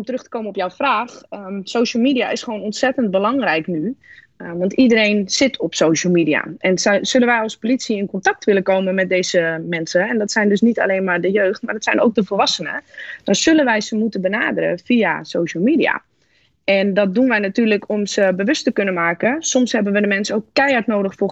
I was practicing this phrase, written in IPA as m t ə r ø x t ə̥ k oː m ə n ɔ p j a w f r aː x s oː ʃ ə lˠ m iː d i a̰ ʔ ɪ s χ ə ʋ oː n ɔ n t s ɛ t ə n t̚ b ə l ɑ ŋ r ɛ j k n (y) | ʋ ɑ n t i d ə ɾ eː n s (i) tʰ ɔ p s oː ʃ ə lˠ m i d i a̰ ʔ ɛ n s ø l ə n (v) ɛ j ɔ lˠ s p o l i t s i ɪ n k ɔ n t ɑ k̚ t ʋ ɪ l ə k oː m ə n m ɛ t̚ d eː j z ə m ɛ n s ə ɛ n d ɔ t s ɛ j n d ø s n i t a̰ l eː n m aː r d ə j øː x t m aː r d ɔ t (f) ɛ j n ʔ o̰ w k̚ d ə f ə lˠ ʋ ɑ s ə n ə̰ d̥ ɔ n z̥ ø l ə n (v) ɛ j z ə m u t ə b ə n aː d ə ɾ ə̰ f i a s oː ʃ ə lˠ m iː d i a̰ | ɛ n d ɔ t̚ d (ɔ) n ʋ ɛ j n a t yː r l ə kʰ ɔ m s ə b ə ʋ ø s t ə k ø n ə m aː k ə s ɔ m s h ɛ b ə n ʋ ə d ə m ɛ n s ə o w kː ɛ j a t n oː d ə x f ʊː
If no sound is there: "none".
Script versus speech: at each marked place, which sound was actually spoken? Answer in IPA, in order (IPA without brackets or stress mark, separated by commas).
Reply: y, ɪ, ʋ, s, ʋ, u